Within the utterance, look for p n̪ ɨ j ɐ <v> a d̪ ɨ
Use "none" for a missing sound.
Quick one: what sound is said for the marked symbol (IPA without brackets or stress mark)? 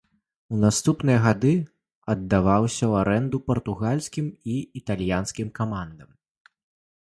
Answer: ɣ